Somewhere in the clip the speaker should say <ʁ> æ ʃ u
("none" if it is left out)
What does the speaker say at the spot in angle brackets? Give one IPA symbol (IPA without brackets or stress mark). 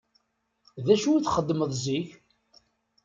ð